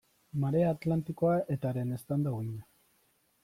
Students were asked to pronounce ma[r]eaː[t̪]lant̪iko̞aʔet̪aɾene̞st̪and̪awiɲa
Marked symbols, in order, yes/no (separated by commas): no, yes